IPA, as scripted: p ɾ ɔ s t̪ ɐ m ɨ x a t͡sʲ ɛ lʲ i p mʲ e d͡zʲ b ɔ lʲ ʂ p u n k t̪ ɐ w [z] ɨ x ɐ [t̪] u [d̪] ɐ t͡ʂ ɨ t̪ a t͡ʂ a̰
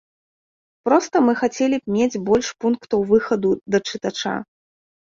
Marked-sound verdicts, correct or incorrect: incorrect, incorrect, correct

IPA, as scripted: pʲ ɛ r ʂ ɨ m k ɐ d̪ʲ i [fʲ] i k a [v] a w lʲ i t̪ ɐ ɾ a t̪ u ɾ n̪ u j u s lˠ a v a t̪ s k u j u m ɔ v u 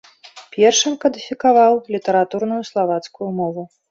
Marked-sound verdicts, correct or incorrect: correct, correct

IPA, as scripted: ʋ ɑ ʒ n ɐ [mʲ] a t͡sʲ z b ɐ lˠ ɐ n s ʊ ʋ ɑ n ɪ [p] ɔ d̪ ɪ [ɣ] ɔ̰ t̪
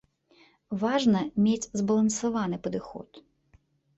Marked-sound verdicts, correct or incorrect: correct, correct, incorrect

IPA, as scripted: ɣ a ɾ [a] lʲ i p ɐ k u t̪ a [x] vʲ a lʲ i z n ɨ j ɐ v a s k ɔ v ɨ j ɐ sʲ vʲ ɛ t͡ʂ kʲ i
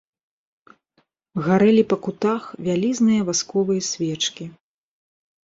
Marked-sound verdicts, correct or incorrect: incorrect, correct

